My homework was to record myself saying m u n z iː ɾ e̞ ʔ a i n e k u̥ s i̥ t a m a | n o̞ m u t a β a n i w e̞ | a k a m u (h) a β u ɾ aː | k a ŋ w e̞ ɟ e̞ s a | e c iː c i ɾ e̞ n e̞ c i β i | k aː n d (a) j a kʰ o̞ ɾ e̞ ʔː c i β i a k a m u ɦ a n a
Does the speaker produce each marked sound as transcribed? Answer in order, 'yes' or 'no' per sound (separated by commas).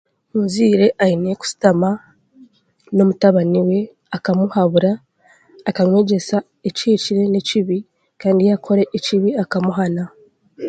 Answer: yes, no